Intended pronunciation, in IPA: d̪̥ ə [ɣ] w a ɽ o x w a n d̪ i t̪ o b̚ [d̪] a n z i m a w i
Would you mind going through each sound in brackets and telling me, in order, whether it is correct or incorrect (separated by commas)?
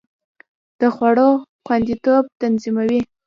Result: incorrect, incorrect